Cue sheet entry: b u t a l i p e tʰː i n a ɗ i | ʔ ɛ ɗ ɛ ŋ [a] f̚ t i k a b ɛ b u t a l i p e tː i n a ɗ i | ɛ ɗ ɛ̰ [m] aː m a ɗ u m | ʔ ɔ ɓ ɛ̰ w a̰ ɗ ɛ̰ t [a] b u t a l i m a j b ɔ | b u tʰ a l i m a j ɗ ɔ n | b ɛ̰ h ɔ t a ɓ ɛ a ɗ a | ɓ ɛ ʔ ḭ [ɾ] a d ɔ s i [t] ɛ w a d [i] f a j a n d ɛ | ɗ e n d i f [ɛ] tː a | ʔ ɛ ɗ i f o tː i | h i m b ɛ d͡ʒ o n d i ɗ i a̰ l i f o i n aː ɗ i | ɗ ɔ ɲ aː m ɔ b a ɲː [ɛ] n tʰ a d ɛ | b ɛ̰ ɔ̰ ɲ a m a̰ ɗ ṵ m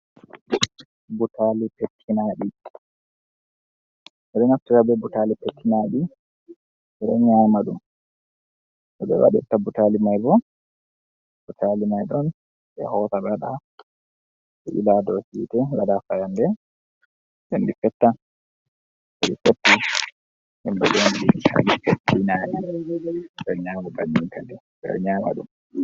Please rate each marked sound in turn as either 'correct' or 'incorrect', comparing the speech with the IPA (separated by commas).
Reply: correct, incorrect, correct, incorrect, correct, incorrect, correct, incorrect